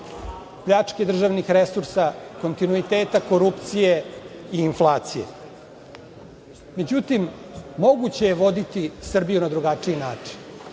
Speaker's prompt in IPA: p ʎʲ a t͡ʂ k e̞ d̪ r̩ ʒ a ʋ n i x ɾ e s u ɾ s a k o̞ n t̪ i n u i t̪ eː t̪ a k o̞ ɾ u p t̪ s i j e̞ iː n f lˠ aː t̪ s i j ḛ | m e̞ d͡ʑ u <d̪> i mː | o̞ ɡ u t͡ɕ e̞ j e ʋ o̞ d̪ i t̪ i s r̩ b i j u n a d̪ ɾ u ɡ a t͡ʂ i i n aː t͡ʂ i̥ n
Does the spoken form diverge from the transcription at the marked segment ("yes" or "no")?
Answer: yes